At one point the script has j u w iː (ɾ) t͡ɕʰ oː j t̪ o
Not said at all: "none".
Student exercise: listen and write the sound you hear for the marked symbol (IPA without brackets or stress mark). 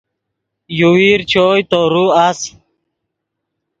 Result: ɾ